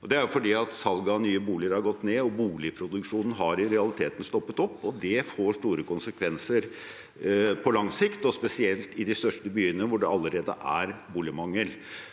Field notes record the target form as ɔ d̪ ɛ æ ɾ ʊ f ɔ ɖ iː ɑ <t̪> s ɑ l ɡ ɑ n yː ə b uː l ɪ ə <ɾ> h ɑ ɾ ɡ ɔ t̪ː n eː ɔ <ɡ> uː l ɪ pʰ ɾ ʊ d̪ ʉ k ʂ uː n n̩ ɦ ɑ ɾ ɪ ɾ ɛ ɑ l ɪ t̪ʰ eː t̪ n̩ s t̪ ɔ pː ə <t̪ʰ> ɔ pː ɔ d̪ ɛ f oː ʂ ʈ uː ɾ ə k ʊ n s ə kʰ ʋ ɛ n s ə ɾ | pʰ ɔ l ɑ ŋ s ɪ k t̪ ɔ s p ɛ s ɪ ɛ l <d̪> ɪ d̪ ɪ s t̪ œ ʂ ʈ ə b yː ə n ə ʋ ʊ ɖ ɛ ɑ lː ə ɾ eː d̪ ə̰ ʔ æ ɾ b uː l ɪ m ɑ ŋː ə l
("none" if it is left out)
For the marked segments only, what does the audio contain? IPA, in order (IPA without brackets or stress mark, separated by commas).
t̪, ɾ, b, t̪, t̪